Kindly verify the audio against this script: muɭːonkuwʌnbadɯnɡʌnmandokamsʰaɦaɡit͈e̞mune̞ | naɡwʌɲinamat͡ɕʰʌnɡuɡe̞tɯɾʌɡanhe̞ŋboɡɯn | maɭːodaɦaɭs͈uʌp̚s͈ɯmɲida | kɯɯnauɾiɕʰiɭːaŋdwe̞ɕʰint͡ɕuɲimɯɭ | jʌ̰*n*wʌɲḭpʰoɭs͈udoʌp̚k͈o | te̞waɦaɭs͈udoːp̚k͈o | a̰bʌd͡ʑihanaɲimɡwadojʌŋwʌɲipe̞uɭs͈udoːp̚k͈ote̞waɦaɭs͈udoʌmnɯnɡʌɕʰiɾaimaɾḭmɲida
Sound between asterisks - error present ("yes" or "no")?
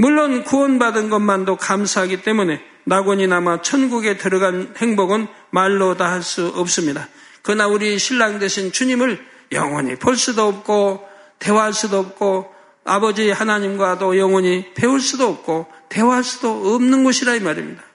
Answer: yes